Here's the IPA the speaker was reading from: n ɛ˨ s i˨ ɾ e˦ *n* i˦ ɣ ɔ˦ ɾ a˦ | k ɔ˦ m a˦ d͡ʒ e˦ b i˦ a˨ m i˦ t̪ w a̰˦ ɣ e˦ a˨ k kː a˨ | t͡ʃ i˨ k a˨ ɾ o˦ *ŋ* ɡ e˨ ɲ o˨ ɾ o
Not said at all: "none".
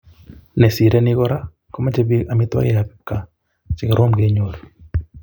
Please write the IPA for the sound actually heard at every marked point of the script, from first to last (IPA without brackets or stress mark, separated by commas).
n, m